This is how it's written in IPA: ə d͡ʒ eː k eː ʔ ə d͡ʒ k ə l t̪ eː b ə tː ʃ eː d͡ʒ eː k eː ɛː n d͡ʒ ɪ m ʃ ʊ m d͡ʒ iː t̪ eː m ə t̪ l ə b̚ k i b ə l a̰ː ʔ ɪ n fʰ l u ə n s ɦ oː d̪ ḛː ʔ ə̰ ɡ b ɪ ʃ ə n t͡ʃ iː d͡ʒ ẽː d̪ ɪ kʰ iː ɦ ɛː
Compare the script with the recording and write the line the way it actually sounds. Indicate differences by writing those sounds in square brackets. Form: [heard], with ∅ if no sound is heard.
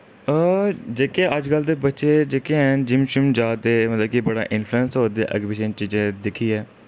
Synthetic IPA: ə d͡ʒ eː k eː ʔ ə d͡ʒ k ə l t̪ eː b ə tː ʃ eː d͡ʒ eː k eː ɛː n d͡ʒ ɪ m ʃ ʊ m d͡ʒ [aː] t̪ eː m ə t̪ l ə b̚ k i b ə [ɽ] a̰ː ʔ ɪ n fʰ l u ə n s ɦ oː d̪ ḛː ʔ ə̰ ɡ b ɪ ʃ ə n t͡ʃ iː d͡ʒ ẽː d̪ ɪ kʰ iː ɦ ɛː